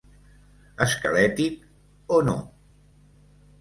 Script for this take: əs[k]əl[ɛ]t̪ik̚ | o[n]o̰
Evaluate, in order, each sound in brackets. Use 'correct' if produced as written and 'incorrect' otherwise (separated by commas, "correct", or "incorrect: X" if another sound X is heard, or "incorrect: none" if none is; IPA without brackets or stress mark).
correct, correct, correct